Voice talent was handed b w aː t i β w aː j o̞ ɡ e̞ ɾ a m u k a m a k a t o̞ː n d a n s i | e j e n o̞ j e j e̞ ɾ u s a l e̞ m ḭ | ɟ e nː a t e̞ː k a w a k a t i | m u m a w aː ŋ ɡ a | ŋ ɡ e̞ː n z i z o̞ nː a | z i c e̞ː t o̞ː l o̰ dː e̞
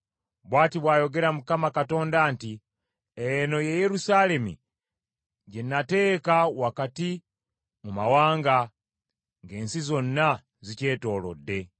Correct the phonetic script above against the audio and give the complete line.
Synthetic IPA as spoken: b w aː t i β w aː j o̞ ɡ e̞ ɾ a m u k a m a k a t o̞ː n d a n t i | e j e n o̞ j e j e̞ ɾ u s a l e̞ m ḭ | ɟ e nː a t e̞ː k a w a k a t i | m u m a w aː ŋ ɡ a | ŋ ɡ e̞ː n s i z o̞ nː a | z i c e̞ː t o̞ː l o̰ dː e̞

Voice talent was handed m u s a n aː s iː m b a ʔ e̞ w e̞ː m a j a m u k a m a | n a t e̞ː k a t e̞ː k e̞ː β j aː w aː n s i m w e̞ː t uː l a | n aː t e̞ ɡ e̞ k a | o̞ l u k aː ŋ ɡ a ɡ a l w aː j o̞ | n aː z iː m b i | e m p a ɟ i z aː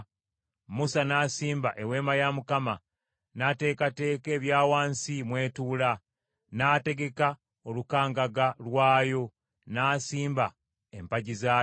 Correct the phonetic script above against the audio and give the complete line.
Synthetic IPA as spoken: m u s a n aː s iː m b a ʔ e̞ w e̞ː m a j a m u k a m a | n a t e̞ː k a t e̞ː k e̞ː β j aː w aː n s i m w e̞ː t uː l a | n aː t e̞ ɡ e̞ k a | o̞ l u k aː ŋ ɡ a ɡ a l w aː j o̞ | n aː s iː m b a | e m p a ɟ i z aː

